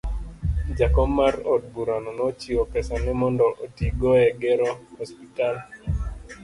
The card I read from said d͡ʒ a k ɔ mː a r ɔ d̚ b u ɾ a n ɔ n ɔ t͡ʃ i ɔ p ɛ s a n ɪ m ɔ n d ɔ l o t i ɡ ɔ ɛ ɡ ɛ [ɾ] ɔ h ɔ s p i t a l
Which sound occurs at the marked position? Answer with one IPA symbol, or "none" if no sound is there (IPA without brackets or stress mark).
ɾ